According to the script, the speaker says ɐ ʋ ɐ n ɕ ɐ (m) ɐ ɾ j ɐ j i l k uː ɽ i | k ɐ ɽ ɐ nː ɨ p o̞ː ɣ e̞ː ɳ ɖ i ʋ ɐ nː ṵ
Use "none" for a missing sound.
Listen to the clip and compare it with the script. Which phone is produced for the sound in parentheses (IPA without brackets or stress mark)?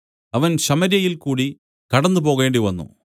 m